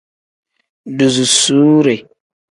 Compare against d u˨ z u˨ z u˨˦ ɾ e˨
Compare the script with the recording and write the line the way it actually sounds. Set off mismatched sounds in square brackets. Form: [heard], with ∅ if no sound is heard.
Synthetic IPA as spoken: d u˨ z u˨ [s] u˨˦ ɾ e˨